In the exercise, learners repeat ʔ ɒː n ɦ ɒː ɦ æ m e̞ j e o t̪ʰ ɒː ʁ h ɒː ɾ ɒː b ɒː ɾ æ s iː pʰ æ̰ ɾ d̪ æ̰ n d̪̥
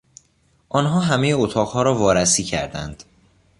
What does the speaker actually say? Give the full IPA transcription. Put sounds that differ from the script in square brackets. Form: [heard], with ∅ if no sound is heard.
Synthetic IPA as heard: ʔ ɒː n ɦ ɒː ɦ æ m e̞ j e o t̪ʰ ɒː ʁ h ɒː ɾ ɒː [v] ɒː ɾ æ s iː [cʰ] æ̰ ɾ d̪ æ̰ n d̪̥